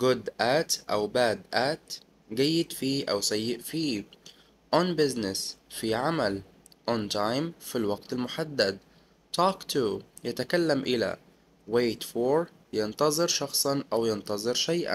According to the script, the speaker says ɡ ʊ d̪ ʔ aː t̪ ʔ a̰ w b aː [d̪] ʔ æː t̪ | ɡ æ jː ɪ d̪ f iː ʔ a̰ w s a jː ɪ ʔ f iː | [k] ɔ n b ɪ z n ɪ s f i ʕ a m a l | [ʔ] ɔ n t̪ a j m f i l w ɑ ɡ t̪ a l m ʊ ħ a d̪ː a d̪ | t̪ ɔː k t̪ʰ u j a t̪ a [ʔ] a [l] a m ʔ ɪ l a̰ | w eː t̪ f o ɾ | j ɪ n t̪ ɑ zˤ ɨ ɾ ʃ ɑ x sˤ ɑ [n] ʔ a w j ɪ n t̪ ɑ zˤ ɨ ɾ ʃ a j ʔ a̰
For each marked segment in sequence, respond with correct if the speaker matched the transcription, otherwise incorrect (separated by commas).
correct, incorrect, correct, incorrect, incorrect, correct